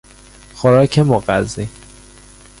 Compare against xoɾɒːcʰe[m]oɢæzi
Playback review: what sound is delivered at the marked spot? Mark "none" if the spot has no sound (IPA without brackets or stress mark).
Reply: m